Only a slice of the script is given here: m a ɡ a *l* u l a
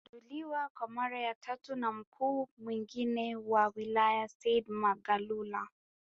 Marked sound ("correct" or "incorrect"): correct